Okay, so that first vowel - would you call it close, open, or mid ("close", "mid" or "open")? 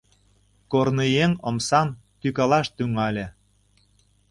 mid